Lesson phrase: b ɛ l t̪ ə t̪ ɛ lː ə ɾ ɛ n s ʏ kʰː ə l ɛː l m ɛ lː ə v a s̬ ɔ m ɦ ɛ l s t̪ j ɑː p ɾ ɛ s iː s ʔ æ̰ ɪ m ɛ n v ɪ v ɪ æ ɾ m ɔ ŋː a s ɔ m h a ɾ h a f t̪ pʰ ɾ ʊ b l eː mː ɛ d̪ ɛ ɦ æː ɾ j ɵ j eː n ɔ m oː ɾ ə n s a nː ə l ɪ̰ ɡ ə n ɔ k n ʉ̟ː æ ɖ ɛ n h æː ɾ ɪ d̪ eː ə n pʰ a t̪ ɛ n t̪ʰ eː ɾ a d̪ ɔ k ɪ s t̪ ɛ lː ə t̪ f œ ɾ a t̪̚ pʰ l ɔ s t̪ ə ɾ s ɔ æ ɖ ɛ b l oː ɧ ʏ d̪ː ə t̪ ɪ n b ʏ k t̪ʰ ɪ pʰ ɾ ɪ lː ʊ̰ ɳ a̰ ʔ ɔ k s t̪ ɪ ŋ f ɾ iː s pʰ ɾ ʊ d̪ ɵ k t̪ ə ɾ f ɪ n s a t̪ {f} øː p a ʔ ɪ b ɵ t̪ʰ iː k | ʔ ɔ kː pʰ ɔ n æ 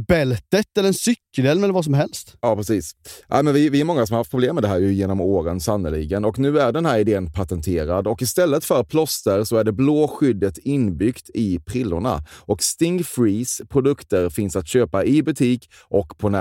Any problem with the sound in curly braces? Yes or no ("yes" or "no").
yes